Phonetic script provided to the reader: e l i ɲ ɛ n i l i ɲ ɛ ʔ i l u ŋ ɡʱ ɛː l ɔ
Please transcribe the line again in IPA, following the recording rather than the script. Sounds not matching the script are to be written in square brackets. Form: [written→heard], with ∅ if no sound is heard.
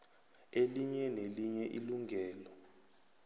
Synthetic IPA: e l i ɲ ɛ n [i→e] l i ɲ ɛ ʔ i l u ŋ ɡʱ ɛː l ɔ